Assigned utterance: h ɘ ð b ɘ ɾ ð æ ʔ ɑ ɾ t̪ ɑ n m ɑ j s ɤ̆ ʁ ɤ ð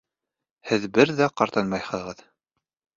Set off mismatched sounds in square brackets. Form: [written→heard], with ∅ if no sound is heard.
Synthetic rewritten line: h ɘ ð b ɘ ɾ ð æ [ʔ→q] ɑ ɾ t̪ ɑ n m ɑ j [s→h] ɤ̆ ʁ ɤ ð